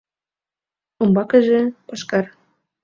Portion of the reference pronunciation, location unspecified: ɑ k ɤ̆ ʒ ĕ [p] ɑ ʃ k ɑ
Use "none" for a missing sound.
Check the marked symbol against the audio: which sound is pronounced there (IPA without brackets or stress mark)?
p